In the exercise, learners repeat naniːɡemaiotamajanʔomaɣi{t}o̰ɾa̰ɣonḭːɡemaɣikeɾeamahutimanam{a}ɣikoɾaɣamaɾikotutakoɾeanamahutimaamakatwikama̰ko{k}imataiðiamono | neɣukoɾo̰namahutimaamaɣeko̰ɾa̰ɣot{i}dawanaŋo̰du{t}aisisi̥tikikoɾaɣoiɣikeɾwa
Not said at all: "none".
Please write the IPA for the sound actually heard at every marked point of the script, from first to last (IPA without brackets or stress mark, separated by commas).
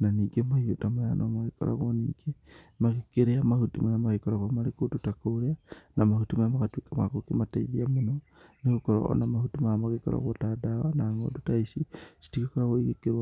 k, a, k, a, t